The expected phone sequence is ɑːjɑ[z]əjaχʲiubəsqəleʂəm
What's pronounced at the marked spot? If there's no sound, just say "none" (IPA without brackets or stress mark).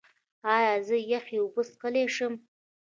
z